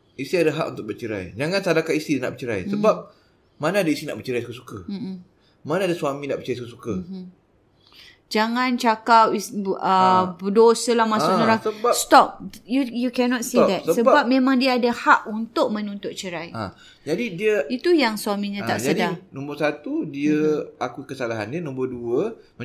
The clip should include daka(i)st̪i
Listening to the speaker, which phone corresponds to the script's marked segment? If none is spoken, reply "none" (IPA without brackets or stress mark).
i